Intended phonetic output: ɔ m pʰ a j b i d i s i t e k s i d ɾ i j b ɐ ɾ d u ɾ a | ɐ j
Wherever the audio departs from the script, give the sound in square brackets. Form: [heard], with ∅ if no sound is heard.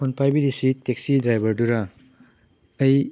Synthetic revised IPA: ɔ [n] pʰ a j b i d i s i t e k s i d ɾ [a] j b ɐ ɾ d u ɾ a | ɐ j